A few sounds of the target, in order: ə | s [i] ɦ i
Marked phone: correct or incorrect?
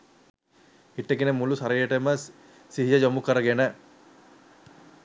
correct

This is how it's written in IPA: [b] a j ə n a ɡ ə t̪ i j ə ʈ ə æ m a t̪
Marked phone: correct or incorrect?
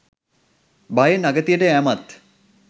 correct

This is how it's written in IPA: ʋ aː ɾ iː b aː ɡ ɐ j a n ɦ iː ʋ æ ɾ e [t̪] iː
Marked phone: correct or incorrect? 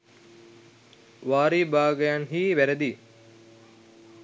incorrect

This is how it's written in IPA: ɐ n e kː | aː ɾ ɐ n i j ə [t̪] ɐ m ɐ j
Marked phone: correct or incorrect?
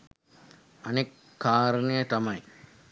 correct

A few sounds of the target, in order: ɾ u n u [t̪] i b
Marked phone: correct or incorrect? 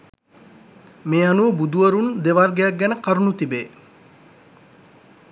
correct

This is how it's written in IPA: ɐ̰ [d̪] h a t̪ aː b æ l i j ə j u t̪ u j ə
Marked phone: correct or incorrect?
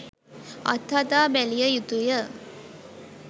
incorrect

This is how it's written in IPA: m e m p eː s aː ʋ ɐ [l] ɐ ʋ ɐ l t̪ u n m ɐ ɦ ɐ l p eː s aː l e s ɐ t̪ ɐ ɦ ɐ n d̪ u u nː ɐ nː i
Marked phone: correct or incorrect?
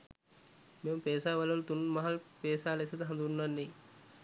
correct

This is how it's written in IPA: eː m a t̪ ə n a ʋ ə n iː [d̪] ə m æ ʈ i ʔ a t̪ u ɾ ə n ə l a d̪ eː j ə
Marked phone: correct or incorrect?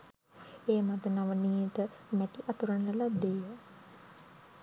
incorrect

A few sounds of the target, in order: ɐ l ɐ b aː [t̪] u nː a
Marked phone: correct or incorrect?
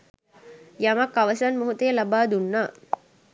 incorrect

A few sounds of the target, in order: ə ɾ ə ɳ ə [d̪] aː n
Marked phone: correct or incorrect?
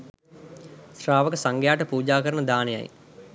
correct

